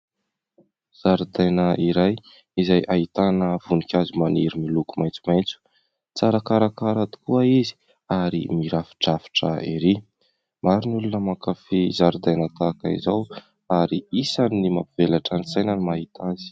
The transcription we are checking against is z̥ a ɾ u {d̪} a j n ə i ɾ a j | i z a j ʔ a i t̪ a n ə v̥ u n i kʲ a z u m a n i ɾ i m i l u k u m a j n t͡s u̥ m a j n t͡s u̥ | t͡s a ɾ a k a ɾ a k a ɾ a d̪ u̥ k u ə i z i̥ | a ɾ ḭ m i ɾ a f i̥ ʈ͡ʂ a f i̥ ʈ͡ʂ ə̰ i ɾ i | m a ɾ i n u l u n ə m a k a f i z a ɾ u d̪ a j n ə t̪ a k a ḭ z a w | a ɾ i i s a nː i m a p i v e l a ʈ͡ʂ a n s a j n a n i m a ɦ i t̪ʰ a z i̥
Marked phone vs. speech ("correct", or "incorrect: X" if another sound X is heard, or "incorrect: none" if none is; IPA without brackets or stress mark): correct